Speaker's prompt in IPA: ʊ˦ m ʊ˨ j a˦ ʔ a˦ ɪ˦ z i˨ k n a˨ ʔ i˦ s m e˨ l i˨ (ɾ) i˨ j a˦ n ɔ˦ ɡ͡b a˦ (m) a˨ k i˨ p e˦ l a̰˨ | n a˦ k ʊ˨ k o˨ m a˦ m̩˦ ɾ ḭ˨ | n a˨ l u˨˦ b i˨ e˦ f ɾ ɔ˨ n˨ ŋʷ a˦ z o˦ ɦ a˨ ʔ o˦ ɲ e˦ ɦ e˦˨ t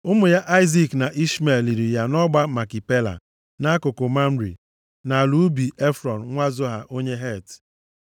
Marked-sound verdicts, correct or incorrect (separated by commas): correct, correct